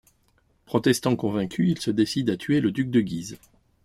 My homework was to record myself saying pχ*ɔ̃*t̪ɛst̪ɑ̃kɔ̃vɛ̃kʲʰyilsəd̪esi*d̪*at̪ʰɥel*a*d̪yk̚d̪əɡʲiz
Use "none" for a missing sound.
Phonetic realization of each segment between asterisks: ɔ, d̪, ə

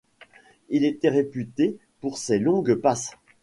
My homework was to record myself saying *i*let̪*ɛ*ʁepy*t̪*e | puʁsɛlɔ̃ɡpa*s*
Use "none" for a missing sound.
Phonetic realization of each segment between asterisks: i, ɛ, t̪, s

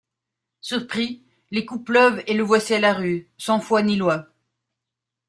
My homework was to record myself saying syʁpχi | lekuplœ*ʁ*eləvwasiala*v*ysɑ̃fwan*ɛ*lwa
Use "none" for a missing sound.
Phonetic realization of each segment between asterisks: v, ʁ, i

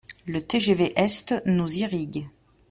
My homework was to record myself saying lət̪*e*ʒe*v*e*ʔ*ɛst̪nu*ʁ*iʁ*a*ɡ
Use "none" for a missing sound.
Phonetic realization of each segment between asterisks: e, v, ʔ, z, i

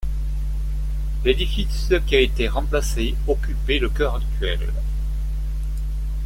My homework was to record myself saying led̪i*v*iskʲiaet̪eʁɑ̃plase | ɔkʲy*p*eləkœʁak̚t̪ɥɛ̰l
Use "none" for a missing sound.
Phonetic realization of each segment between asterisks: f, p

